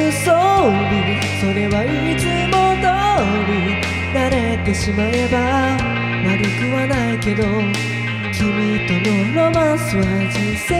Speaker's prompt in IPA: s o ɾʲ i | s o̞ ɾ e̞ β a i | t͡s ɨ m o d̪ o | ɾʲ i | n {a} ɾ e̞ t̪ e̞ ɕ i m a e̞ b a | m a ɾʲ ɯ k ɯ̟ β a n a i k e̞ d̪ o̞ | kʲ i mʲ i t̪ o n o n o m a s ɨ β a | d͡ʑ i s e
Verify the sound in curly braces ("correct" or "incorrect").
correct